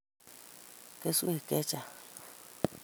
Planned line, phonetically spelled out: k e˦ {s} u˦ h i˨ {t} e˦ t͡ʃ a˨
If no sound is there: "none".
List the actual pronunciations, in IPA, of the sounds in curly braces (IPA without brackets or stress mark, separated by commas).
s, k